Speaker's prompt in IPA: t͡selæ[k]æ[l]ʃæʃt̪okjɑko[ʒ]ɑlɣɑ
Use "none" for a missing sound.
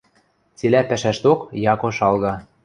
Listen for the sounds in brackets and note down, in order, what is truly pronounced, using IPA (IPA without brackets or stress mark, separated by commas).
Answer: p, none, ʃ